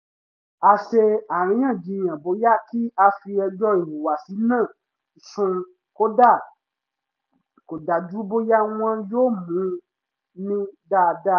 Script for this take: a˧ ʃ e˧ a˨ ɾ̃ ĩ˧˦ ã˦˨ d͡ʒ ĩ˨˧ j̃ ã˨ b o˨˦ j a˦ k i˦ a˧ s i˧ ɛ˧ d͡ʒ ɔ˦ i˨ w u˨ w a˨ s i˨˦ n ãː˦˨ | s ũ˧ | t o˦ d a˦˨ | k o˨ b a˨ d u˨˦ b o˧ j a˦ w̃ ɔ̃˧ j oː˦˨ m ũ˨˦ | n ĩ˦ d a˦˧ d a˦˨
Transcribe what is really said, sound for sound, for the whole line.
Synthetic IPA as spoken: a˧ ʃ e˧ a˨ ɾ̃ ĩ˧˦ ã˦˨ d͡ʒ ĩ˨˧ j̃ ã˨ b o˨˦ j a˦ k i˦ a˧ f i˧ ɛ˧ d͡ʒ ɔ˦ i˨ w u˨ w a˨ s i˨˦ n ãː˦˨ | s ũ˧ | k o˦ d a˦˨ | k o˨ d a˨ d͡ʒ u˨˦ b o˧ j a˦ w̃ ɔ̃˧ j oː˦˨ m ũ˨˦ | n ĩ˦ d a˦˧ d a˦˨